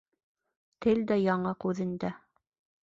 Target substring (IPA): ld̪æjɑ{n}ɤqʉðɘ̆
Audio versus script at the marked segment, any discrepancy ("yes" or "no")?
yes